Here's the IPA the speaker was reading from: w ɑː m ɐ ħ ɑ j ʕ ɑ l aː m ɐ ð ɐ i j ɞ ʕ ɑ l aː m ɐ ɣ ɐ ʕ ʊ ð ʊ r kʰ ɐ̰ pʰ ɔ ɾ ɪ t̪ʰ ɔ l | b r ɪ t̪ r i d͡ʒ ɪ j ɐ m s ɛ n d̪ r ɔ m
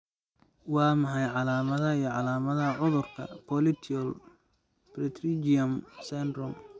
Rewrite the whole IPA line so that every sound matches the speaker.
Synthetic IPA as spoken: w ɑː m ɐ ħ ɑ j ʕ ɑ l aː m ɐ ð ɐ i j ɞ ʕ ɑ l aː m ɐ ð ɐ ʕ ʊ ð ʊ r kʰ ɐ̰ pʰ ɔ l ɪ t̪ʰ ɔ l | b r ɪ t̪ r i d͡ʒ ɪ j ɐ m s ɛ n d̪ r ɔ m

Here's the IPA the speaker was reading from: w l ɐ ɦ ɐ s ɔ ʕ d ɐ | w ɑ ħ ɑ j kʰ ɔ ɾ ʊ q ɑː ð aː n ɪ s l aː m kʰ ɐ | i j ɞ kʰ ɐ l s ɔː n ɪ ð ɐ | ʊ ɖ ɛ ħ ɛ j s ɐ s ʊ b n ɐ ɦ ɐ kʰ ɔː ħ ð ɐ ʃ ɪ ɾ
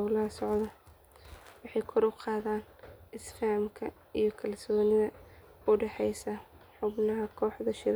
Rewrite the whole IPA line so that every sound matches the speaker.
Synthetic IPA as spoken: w l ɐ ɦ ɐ s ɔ ʕ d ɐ | w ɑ ħ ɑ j kʰ ɔ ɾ ʊ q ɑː ð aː n ɪ s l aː m kʰ ɐ | i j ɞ kʰ ɐ l s ɔː n ɪ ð ɐ | ʊ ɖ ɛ ħ ɛ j s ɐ ħ ʊ b n ɐ ɦ ɐ kʰ ɔː ħ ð ɐ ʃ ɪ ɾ

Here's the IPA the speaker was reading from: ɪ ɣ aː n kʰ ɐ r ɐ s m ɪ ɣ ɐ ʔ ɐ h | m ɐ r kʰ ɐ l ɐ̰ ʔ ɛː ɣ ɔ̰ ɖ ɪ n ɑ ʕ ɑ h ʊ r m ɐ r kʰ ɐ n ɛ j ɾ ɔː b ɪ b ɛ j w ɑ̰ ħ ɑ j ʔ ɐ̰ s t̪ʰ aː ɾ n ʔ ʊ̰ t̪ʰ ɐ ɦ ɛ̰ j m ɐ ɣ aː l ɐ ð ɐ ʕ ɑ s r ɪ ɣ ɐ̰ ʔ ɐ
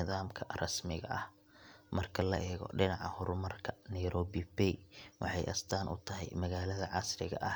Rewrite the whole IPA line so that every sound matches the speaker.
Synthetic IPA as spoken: ɪ ð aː m kʰ ɐ r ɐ s m ɪ ɣ ɐ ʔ ɐ h | m ɐ r kʰ ɐ l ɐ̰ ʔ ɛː ɣ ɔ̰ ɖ ɪ n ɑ ʕ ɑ h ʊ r m ɐ r kʰ ɐ n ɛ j ɾ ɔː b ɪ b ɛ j w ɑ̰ ħ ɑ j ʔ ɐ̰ s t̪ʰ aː n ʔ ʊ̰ t̪ʰ ɐ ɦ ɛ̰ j m ɐ ɣ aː l ɐ ð ɐ ʕ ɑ s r ɪ ɣ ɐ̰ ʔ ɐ

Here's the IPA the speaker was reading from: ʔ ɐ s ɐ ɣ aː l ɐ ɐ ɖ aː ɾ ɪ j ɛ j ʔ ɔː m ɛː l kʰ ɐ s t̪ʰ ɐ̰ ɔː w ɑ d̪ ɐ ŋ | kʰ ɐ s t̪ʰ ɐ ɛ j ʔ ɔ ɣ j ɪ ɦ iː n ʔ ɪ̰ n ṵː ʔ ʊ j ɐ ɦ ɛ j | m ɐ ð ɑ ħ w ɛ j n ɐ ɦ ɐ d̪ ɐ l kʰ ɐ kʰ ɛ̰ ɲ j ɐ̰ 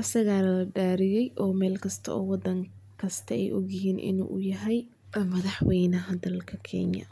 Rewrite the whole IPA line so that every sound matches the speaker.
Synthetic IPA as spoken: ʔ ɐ s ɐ ɣ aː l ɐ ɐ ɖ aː ɾ ɪ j ɛ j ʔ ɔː m ɛː l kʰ ɐ s t̪ʰ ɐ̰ ɔː w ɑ d̪ ɐ ŋ | kʰ ɐ s t̪ʰ ɐ ɛ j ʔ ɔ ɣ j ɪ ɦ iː n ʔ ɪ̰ n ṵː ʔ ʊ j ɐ ɦ ɛ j | m ɐ ð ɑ ħ w ɛ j n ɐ ɦ ɐ d̪ ɐ l kʰ ɐ kʰ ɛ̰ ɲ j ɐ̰

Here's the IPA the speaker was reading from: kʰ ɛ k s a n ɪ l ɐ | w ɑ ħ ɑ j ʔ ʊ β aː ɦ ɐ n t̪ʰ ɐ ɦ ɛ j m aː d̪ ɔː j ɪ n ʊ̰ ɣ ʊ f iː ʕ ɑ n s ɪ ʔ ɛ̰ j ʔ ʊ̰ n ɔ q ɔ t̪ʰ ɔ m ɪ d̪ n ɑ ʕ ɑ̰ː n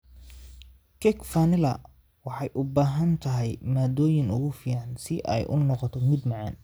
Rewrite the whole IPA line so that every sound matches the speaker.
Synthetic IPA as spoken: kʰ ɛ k f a n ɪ l ɐ | w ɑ ħ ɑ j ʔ ʊ b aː ɦ ɐ n t̪ʰ ɐ ɦ ɛ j m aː d̪ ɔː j ɪ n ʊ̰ ɣ ʊ f iː ʕ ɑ n s ɪ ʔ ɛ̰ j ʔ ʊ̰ n ɔ q ɔ t̪ʰ ɔ m ɪ d̪ m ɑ ʕ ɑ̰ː n

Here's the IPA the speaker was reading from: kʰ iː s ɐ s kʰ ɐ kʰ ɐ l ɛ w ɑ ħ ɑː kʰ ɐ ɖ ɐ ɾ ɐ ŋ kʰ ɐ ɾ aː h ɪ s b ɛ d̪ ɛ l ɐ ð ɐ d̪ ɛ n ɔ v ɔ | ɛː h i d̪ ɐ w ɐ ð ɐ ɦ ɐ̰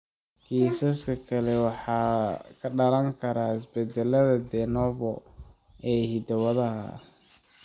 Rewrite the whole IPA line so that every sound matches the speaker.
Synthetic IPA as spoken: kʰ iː s ɐ s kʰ ɐ kʰ ɐ l ɛ w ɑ ħ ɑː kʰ ɐ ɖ ɐ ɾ ɐ ŋ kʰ ɐ ɾ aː h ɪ s b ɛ d̪ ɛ l ɐ ð ɐ d̪ ɛ n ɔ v ɔ | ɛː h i d̪ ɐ w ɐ ð ɐ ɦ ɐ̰

